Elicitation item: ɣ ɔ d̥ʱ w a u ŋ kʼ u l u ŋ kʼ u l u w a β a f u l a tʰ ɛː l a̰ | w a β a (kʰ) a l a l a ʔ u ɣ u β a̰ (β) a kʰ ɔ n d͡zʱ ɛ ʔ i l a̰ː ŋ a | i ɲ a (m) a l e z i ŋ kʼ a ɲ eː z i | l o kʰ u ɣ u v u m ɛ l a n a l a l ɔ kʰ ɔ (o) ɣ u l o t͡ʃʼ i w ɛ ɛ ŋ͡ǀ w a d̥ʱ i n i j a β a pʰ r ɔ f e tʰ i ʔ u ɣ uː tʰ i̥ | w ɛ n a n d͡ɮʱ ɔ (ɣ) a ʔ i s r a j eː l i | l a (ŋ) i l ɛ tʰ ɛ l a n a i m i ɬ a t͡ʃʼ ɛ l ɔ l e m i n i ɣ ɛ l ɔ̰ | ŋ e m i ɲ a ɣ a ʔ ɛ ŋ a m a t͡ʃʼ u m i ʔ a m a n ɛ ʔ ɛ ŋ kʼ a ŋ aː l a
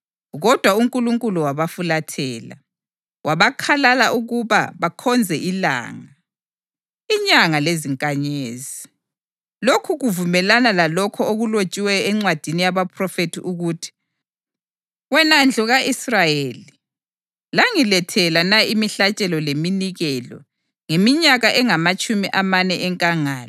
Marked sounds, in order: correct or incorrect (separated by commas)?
correct, correct, incorrect, correct, correct, correct